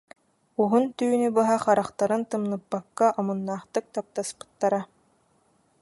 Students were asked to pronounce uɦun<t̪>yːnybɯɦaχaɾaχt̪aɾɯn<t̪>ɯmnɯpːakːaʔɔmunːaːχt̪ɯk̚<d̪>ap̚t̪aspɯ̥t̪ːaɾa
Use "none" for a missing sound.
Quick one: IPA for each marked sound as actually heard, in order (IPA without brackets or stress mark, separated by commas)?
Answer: t̪, t̪, t̪